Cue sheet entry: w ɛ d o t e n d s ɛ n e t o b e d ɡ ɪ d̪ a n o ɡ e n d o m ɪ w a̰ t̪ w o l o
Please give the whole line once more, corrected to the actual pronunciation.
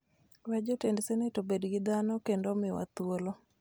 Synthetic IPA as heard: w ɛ d͡ʒ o t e n d s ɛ n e t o b e d ɡ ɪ d̪ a n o k e n d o m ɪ w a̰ t̪ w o l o